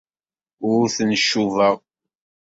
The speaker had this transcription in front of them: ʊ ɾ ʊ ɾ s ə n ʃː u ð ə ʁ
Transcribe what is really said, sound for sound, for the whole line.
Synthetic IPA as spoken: ʊ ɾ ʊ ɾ θ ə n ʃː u v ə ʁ